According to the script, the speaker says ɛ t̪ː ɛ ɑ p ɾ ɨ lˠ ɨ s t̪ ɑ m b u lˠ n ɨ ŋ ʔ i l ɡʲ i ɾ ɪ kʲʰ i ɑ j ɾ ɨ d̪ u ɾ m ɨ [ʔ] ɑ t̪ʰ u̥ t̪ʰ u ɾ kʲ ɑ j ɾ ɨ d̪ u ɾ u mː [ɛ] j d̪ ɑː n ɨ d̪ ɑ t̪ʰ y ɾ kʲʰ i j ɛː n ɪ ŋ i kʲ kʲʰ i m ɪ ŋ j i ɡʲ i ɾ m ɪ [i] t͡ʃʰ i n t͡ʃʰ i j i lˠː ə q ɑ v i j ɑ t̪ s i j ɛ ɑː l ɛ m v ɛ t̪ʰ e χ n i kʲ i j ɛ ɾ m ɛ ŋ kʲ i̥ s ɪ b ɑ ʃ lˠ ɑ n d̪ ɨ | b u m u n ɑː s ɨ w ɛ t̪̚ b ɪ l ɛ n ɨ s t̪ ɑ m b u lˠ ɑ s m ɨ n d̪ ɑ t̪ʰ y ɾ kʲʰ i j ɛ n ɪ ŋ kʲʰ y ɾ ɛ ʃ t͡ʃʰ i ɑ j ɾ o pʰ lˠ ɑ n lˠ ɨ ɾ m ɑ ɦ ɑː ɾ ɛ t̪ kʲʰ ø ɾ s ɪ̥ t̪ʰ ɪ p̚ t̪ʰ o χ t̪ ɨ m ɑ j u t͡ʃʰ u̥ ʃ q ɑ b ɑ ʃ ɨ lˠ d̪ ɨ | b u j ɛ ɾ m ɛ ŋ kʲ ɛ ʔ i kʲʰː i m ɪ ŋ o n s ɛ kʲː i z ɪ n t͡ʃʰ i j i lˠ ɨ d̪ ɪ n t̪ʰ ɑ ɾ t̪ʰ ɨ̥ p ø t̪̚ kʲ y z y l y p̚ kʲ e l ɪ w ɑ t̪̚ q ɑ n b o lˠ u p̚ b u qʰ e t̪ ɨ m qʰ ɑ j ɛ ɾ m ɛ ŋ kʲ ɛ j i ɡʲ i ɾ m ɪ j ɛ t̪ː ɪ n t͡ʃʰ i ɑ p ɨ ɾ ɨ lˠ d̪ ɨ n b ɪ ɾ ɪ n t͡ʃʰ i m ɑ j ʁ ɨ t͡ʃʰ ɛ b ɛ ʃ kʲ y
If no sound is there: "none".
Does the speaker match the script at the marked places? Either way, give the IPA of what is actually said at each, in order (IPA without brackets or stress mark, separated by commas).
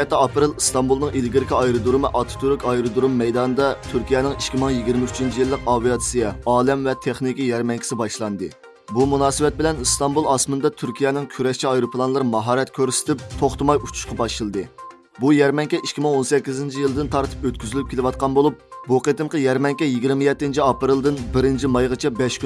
ʔ, ɛ, y